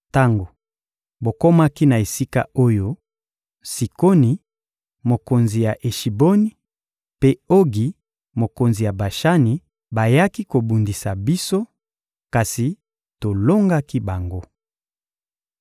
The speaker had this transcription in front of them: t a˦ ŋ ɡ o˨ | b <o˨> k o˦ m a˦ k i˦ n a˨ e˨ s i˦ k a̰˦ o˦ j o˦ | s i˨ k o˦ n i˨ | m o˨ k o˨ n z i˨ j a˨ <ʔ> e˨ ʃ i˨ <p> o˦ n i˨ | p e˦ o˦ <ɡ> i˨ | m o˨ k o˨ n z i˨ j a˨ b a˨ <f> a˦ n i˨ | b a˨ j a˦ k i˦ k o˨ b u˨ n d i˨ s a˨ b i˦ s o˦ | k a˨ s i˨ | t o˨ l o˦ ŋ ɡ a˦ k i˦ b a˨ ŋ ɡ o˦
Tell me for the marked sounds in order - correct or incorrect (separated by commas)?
correct, correct, incorrect, correct, incorrect